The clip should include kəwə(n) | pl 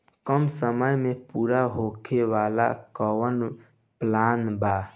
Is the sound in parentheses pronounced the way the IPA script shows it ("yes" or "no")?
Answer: yes